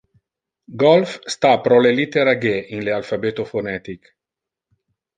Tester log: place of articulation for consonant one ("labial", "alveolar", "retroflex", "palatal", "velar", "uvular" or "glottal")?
velar